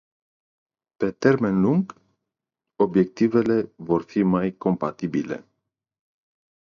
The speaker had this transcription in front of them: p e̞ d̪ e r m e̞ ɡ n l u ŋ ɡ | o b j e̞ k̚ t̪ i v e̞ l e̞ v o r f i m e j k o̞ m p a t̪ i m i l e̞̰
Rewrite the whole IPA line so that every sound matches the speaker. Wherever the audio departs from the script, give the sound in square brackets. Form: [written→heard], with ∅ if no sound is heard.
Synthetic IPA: p e̞ [d̪→t̪] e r m e̞ [ɡ→∅] n l u ŋ ɡ | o b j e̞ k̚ t̪ i v e̞ l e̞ v o r f i m [e→a] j k o̞ m p a t̪ i [m→b] i l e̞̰